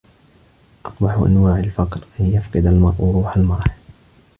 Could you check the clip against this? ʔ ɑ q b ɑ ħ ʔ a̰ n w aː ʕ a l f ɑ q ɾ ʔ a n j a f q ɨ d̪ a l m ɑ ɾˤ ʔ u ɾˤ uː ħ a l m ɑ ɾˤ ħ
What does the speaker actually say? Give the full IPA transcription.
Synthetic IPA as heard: ʔ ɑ q b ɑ ħ ʔ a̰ n w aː ʕ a l f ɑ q ɾ ʔ a n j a f q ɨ d̪ a l m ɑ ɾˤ ʔ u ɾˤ uː ħ a l m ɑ ɾˤ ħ